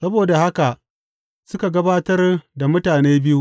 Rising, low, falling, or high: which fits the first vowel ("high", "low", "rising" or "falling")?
high